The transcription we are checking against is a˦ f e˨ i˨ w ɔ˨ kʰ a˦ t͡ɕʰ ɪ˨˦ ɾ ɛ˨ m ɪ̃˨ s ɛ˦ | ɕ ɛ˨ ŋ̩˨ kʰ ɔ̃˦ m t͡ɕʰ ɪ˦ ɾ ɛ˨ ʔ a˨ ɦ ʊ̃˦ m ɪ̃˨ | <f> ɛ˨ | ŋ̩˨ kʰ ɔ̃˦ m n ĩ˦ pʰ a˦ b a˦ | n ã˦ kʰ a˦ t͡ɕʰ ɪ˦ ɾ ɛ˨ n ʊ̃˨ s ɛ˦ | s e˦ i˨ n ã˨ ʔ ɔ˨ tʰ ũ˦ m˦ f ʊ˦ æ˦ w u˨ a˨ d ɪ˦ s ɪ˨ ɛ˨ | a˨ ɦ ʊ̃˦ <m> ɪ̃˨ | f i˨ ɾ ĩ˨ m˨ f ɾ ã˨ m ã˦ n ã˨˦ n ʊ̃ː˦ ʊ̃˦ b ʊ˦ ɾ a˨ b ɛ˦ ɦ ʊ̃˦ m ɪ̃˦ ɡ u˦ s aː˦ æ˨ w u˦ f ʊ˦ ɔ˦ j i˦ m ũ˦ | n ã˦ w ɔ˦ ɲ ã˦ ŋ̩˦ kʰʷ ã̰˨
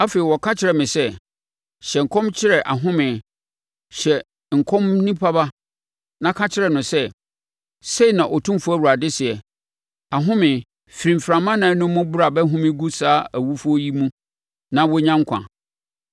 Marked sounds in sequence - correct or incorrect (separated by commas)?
incorrect, correct